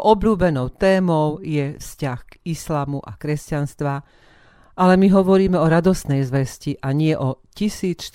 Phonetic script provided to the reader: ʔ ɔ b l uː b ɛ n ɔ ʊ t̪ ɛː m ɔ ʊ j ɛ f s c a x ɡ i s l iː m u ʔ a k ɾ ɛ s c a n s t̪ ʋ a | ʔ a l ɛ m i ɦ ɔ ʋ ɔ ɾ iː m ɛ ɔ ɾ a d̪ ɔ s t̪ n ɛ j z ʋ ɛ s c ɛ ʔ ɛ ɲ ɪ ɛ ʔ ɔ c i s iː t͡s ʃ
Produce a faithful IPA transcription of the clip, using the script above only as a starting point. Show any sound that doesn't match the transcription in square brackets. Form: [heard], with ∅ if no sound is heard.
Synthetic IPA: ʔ ɔ b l uː b ɛ n ɔ ʊ t̪ ɛː m ɔ ʊ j ɛ f s c a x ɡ i s l [aː] m u ʔ a k ɾ ɛ s c a n s t̪ ʋ a | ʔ a l ɛ m i ɦ ɔ ʋ ɔ ɾ iː m ɛ ɔ ɾ a d̪ ɔ s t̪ n ɛ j z ʋ ɛ s c [i] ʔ [a] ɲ ɪ ɛ ʔ ɔ c i s iː t͡s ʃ